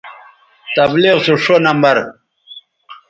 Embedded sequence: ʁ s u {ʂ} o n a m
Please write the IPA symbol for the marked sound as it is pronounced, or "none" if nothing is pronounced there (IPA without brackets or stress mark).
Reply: ʂ